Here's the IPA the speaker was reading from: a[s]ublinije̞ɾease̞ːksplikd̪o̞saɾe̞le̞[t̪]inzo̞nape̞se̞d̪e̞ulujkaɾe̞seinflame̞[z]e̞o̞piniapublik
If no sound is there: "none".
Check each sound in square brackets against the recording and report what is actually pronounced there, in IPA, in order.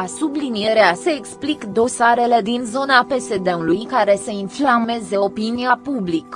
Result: s, d̪, z

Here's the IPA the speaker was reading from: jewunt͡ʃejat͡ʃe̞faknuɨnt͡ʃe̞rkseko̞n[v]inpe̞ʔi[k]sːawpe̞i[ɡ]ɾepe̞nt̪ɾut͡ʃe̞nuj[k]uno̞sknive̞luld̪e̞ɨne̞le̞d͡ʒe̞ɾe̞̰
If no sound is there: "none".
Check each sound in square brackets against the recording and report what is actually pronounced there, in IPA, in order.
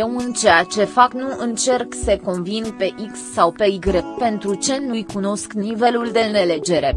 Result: v, k, ɡ, k

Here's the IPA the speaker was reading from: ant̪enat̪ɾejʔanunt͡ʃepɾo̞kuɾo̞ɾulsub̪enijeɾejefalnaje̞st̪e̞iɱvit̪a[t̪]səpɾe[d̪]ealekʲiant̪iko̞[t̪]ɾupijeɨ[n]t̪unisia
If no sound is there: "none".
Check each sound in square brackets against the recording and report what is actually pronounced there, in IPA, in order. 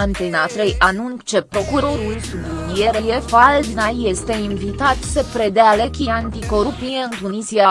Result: t̪, d̪, none, n

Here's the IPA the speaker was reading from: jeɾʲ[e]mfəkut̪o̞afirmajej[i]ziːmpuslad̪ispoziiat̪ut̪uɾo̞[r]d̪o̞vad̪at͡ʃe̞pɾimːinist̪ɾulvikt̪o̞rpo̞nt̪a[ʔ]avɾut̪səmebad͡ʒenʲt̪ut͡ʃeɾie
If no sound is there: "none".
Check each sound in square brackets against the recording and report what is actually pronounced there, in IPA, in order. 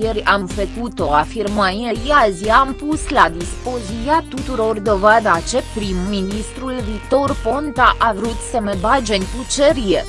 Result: a, a, r, ʔ

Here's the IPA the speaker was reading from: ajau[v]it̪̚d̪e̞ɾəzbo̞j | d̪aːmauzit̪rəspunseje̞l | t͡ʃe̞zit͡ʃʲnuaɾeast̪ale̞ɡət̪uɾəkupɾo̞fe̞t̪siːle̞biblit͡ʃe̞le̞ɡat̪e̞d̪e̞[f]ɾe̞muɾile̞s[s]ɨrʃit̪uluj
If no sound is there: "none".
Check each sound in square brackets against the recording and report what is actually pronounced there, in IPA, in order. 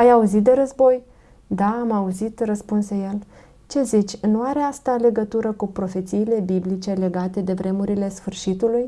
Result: z, v, f

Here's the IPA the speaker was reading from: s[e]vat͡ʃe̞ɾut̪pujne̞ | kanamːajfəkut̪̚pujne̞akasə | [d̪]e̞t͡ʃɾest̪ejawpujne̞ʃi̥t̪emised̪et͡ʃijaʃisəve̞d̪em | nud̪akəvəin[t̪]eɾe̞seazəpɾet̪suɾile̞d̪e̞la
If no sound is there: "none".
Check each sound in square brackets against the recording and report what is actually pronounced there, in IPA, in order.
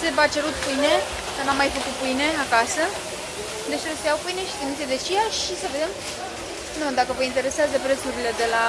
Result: e, d̪, t̪

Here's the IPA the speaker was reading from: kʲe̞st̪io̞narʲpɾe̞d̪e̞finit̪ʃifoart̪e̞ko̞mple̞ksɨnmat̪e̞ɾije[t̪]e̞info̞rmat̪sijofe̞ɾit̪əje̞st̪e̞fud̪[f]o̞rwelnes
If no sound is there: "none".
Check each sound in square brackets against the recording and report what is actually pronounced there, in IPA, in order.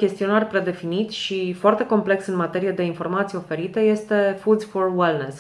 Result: d̪, f

